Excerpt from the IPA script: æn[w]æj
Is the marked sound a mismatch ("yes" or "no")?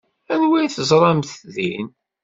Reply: no